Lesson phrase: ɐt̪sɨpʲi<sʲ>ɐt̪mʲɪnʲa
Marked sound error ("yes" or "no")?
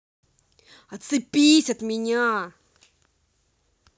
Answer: no